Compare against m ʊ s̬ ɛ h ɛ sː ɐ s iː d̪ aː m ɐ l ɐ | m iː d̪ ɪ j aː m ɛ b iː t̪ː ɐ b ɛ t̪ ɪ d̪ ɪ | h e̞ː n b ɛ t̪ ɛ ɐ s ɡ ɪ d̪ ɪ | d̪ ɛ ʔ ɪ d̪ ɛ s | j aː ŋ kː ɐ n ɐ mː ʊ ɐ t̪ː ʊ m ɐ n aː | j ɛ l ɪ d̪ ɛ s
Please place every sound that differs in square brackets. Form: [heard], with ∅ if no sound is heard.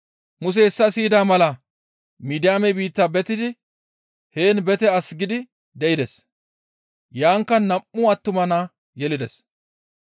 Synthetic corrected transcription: m ʊ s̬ ɛ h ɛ sː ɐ s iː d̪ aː m ɐ l ɐ | m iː d̪ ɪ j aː m ɛ b iː t̪ː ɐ b ɛ t̪ ɪ d̪ ɪ | h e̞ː n b ɛ t̪ ɛ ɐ s ɡ ɪ d̪ ɪ | d̪ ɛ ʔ ɪ d̪ ɛ s | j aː ŋ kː ɐ n ɐ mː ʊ ɐ t̪ː ʊ m ɐ n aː | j ɛ l ɪ d̪ ɛ s